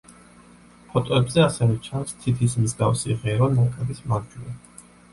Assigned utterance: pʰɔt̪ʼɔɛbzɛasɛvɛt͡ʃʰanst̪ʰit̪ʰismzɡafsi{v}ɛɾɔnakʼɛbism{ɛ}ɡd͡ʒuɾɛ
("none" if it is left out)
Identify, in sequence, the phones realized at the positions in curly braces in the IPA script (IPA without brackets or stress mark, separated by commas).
ʁ, a